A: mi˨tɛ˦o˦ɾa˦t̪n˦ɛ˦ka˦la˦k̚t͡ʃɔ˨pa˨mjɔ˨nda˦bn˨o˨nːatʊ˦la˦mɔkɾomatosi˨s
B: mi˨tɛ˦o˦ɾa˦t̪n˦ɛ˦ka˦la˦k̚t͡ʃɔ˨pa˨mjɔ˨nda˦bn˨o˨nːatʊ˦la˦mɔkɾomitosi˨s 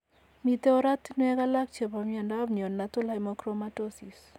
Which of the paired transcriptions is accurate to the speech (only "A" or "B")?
A